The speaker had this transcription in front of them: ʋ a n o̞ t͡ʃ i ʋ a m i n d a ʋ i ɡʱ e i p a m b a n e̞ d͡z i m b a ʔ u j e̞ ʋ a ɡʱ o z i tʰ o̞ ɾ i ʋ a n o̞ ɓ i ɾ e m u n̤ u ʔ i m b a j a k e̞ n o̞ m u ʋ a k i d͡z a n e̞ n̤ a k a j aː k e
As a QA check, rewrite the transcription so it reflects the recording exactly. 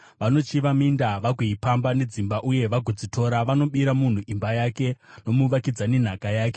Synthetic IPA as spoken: ʋ a n o̞ t͡ʃ i ʋ a m i n d a ʋ a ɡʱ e i p a m b a n e̞ d͡z i m b a ʔ u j e̞ ʋ a ɡʱ o d͡z i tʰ o̞ ɾ a ʋ a n o̞ ɓ i ɾ a m u n̤ u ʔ i m b a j a k e̞ n o̞ m u ʋ a k i d͡z a n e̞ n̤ a k a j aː k e